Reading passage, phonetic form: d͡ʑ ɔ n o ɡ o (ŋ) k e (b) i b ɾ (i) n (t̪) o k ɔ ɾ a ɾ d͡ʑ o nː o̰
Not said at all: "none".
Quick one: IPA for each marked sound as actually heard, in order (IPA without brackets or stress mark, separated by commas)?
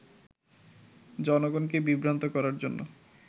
n, b, a, t̪